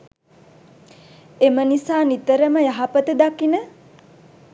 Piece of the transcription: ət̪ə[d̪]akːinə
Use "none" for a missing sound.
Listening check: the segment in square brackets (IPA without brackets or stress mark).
d̪